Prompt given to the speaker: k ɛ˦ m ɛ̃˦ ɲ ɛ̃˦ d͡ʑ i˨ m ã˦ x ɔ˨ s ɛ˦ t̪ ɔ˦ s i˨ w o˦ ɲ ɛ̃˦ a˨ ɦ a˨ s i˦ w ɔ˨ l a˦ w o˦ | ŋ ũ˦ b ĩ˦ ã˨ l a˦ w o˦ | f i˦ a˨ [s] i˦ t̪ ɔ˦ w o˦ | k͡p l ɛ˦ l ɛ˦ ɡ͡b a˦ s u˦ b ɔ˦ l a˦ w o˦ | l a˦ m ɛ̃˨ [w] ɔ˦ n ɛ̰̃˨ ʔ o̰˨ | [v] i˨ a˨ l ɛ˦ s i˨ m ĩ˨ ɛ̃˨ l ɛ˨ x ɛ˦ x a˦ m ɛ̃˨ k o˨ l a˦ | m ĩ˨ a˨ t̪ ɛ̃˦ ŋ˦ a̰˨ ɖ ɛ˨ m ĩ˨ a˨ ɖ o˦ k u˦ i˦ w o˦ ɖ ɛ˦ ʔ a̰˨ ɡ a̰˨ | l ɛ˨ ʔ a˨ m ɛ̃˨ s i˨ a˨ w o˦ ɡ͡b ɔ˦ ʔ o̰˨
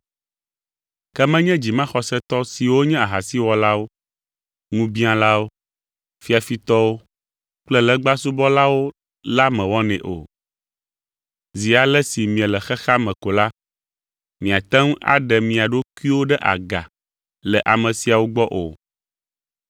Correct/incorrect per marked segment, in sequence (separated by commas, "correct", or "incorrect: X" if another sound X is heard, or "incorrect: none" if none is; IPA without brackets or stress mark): incorrect: f, correct, incorrect: z